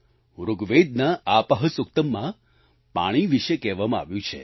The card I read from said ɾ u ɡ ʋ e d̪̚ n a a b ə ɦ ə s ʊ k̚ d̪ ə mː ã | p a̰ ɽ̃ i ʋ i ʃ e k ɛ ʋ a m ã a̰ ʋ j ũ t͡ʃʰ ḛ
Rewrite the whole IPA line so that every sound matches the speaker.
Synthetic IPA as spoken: ɾ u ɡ ʋ e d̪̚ n a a p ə ɦ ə s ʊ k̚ t̪ ə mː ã | p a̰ ɽ̃ i ʋ i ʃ e k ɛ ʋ a m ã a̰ ʋ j ũ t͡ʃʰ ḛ